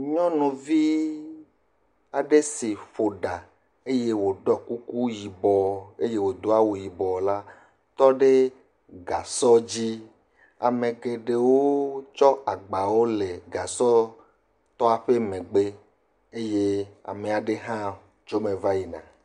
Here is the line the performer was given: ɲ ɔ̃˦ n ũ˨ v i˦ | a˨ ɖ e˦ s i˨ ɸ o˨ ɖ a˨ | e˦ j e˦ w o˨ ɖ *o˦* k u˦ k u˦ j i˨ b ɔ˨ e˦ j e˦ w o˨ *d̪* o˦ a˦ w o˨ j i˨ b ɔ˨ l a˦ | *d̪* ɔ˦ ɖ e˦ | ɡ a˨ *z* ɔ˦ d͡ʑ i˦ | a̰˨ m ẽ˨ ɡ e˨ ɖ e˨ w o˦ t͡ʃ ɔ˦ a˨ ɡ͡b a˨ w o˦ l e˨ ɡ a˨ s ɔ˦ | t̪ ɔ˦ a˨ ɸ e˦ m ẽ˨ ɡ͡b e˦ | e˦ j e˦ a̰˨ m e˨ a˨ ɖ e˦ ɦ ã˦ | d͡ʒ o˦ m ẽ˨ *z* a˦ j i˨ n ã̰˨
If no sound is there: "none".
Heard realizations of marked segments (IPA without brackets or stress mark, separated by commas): ɔ˦, d̪, t̪, s, v